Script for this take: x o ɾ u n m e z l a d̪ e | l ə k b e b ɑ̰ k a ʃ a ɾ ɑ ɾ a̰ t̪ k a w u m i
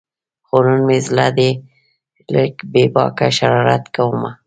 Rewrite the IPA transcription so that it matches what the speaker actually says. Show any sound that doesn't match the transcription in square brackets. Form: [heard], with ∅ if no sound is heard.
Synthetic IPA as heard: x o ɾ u n m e z l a d̪ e | l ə k b e b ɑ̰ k a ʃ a ɾ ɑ ɾ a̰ t̪ k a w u m [a]